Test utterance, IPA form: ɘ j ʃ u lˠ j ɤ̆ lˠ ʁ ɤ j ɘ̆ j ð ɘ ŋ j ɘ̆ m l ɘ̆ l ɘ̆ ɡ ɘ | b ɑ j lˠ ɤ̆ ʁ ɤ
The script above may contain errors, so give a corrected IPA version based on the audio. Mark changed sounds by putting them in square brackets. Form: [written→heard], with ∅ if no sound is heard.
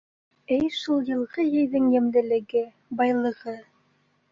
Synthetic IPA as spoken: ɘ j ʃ u lˠ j ɤ̆ lˠ ʁ ɤ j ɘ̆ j ð ɘ ŋ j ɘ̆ m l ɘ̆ l ɘ̆ ɡ ɘ | b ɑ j lˠ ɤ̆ ʁ ɤ